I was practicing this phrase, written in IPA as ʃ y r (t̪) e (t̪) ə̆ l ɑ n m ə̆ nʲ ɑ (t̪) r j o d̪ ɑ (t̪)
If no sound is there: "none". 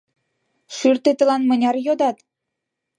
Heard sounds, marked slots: t̪, t̪, none, t̪

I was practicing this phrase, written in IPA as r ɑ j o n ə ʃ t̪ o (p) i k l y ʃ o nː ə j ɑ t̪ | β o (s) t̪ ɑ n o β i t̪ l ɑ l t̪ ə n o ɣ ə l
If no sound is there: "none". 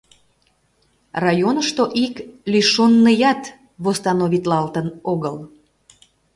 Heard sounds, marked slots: ʔ, s

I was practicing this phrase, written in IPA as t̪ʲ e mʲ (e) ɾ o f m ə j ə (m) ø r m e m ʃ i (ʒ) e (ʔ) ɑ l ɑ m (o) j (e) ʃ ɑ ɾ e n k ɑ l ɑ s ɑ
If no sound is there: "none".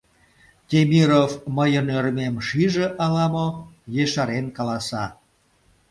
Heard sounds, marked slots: i, n, ʒ, ʔ, o, e

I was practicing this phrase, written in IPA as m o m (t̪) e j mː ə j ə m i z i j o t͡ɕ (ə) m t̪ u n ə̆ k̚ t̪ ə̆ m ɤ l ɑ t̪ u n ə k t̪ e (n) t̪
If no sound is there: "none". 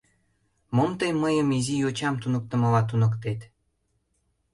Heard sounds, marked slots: t̪, ɑ, none

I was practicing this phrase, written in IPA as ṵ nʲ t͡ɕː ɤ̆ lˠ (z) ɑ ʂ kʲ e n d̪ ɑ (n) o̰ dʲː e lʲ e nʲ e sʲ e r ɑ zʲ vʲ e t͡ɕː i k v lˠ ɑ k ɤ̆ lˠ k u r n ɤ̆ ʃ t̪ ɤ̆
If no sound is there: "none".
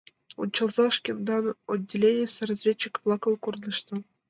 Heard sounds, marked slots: z, n

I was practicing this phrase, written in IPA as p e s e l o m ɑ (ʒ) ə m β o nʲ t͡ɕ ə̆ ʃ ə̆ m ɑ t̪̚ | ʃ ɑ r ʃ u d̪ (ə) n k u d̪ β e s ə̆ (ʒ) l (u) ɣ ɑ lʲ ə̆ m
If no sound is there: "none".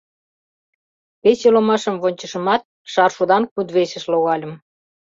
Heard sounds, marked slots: ʃ, ɑ, ʃ, o

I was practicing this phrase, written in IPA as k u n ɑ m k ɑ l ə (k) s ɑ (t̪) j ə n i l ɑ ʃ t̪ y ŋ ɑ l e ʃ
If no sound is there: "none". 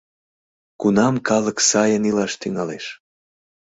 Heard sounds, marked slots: k, none

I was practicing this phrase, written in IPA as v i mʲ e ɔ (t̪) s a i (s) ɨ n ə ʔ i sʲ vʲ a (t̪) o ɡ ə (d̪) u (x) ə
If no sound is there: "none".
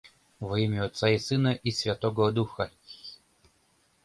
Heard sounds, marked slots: t̪, s, t̪, d̪, x

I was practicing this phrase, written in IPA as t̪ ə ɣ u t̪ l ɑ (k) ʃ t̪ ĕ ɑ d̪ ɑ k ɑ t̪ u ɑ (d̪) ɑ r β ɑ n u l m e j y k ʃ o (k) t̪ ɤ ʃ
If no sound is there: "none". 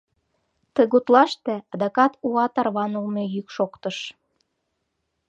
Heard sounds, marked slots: none, t̪, k

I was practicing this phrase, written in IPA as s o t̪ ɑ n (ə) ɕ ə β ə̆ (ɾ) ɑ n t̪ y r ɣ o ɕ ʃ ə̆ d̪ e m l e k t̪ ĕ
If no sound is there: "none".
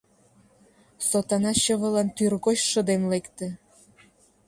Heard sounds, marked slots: ɑ, l

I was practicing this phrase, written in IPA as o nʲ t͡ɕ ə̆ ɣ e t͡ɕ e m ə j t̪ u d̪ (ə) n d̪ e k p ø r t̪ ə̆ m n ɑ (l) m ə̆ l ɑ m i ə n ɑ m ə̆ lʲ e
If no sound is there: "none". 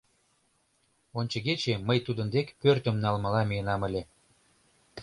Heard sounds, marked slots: ə, l

